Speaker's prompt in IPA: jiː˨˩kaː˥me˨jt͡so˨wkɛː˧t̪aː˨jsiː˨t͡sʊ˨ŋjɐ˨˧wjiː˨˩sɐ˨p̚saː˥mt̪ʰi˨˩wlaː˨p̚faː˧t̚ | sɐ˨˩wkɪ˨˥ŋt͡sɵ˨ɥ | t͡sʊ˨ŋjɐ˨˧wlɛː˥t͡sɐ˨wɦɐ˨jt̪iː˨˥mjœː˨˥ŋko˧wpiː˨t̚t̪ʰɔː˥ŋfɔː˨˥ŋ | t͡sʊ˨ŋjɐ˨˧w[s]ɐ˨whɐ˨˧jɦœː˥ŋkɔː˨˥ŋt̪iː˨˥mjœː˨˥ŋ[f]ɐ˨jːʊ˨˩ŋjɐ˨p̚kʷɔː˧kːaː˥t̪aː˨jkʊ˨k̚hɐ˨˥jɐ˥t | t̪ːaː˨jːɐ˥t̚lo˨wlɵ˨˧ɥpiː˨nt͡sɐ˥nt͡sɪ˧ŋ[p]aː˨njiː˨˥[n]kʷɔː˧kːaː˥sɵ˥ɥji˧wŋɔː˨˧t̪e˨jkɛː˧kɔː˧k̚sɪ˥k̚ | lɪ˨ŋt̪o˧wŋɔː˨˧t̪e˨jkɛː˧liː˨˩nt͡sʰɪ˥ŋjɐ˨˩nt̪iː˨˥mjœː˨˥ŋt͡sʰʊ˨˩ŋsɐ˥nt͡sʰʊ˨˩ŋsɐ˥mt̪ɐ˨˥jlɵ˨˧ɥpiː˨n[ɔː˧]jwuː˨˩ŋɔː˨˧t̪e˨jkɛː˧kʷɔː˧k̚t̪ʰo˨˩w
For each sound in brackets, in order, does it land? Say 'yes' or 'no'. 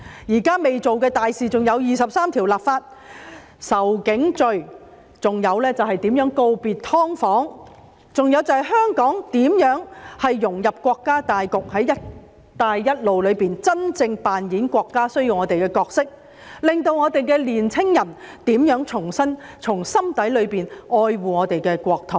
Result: no, no, yes, yes, yes

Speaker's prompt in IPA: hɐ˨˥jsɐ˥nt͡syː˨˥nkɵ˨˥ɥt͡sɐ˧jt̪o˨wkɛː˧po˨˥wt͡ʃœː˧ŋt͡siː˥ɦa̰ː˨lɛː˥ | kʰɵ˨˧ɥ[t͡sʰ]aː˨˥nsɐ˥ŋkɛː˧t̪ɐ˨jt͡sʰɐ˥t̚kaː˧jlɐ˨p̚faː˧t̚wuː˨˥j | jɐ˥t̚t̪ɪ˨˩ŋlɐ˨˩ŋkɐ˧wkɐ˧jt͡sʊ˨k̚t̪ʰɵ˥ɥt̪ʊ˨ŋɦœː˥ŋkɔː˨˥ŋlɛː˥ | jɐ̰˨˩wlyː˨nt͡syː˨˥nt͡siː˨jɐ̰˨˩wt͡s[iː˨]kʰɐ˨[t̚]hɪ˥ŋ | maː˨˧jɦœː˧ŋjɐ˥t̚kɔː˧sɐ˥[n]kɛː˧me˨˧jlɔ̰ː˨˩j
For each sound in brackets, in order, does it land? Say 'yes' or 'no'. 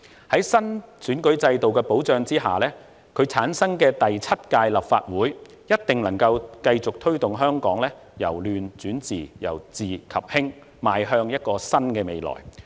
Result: yes, yes, no, yes

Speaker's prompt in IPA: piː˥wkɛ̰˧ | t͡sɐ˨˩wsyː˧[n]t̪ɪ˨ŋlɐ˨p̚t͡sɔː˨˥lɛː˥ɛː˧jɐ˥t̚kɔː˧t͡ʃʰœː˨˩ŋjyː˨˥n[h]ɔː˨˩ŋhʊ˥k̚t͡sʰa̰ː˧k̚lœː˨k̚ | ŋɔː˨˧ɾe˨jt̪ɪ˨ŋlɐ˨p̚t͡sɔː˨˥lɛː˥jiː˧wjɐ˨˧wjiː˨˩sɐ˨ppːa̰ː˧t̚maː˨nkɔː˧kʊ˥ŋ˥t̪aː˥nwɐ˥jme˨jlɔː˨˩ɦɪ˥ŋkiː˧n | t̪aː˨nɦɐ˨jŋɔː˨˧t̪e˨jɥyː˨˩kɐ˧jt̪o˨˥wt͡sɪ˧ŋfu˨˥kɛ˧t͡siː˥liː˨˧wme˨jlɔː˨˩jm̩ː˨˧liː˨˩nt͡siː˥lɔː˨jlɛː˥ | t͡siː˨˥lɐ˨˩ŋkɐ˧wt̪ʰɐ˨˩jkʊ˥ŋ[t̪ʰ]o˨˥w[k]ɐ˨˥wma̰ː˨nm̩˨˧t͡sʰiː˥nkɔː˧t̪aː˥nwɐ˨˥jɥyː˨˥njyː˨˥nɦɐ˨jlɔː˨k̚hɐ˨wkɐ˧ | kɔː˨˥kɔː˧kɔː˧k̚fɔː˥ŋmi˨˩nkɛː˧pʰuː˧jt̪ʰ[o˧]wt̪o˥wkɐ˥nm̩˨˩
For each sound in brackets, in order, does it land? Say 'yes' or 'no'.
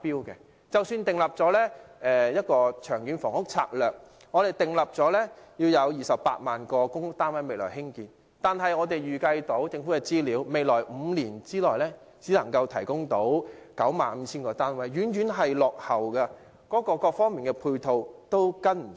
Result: yes, no, no, yes, yes

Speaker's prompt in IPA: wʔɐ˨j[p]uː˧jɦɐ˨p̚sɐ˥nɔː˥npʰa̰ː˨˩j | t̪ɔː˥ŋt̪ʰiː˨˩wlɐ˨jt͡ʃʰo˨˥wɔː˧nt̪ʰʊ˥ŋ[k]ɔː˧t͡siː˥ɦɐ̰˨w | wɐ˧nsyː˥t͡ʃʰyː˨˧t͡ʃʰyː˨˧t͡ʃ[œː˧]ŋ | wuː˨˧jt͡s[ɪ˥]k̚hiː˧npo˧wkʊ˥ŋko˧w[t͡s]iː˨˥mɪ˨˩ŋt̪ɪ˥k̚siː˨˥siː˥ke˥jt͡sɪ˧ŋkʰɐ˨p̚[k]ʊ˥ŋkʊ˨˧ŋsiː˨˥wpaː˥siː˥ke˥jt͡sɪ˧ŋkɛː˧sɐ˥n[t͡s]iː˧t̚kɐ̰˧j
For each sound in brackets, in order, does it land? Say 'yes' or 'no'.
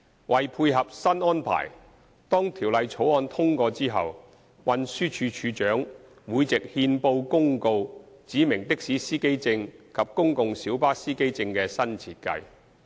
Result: no, yes, no, no, yes, yes, no

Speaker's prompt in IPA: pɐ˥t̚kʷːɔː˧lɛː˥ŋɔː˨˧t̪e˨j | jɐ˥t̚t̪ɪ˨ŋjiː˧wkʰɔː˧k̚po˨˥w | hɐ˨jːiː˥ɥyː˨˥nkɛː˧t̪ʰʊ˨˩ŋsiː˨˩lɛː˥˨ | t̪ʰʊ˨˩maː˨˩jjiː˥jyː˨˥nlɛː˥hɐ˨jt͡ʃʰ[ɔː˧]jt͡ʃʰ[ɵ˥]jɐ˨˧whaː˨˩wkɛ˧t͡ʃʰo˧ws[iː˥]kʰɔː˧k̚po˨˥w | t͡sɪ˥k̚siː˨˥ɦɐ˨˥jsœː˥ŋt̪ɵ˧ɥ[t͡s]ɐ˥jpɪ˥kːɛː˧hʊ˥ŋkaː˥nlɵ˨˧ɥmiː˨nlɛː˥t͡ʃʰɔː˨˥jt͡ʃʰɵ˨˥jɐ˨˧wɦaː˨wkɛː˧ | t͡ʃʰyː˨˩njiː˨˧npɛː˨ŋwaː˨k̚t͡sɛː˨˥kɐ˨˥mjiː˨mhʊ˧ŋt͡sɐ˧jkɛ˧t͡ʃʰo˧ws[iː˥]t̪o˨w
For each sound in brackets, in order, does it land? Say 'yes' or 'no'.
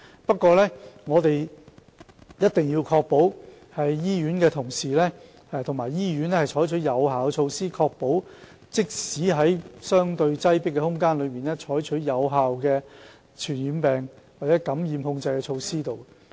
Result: no, no, yes, yes, yes

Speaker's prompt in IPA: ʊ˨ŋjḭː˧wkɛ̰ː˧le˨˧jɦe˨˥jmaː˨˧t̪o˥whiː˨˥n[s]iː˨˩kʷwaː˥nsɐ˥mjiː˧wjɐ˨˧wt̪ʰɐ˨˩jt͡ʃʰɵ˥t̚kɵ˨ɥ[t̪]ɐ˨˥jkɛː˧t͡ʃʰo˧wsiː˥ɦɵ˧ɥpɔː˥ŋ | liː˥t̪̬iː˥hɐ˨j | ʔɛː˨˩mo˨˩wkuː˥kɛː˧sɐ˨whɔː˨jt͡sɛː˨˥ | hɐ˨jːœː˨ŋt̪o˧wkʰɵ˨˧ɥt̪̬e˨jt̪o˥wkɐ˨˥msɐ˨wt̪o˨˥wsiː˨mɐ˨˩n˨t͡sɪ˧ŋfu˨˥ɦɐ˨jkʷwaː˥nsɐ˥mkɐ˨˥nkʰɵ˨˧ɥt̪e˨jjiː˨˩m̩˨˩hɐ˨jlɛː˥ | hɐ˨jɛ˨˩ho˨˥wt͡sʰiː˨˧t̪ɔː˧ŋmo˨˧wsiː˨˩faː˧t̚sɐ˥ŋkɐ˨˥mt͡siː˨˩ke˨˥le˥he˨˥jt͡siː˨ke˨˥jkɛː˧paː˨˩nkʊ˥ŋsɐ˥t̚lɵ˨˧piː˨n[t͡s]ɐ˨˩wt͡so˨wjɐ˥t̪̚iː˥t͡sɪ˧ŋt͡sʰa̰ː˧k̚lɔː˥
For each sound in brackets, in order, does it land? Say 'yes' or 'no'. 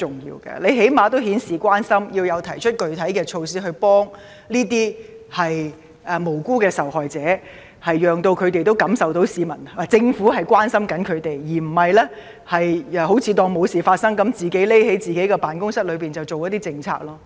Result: yes, no, yes

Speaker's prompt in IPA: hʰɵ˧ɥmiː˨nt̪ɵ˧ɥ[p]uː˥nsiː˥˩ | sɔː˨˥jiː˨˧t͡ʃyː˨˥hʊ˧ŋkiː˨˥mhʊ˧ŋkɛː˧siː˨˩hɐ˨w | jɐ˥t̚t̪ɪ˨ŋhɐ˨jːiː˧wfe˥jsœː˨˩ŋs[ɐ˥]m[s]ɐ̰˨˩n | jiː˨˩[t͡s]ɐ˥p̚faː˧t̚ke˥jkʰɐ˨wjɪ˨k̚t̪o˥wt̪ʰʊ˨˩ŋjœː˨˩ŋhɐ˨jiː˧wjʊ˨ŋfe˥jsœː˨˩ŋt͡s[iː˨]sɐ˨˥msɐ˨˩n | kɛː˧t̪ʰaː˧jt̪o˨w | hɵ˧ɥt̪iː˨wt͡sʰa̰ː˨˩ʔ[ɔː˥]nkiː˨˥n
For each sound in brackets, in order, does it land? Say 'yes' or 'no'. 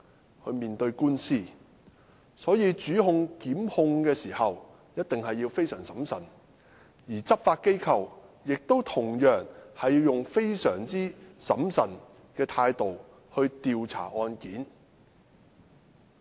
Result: no, no, yes, yes, no, no

